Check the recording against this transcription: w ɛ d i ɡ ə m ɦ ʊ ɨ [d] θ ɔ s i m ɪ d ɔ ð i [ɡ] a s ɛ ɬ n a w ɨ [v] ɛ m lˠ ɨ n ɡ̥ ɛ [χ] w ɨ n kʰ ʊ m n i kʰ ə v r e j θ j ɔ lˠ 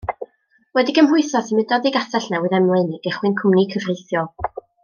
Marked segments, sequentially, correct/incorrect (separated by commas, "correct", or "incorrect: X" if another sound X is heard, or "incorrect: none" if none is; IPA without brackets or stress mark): incorrect: none, correct, incorrect: ð, correct